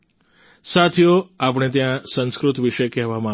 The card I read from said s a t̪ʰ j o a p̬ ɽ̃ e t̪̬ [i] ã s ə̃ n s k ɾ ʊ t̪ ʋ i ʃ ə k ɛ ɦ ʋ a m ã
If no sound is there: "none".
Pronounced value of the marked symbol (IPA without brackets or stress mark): j